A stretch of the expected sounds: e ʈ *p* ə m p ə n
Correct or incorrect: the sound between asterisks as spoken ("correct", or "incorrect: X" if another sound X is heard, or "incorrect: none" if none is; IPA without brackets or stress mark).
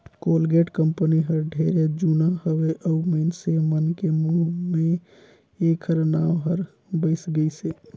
incorrect: k